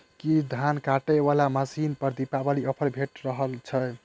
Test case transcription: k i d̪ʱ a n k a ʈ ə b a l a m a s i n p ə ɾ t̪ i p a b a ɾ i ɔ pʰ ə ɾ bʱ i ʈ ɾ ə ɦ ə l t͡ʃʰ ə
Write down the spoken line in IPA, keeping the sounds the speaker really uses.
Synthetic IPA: k i d̪ʱ a n k a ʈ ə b a l a m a s i n p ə ɾ d̪ i p a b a l i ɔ pʰ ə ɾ bʱ e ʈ ɾ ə ɦ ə l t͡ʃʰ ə